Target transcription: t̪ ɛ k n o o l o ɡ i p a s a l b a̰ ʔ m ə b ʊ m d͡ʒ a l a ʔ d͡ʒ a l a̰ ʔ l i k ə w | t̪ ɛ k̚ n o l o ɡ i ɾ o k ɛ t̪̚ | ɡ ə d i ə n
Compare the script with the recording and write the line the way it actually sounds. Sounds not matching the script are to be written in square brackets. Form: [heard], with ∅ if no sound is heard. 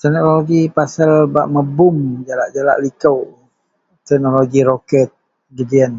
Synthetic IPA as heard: t̪ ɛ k n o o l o ɡ i p a s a l b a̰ ʔ m ə b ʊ m d͡ʒ a l a ʔ d͡ʒ a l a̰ ʔ l i k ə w | t̪ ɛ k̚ n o l o ɡ i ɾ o k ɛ t̪̚ | ɡ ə d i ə n